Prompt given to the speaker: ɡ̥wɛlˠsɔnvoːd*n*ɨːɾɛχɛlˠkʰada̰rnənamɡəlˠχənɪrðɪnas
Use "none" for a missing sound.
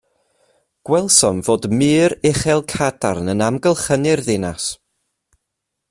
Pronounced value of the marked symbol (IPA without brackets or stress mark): m